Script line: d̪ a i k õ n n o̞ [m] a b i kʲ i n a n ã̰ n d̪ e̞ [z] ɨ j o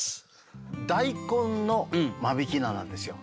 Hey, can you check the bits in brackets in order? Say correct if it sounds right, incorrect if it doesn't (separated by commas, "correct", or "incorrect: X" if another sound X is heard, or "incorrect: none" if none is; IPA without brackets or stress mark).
correct, incorrect: s